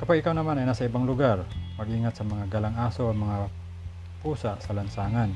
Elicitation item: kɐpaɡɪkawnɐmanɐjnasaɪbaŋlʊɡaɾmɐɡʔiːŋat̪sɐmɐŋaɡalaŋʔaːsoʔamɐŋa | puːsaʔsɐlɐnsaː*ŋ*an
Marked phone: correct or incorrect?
correct